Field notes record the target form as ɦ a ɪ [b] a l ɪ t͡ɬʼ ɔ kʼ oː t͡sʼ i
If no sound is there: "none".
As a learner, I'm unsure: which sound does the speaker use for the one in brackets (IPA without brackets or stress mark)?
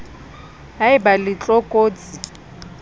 b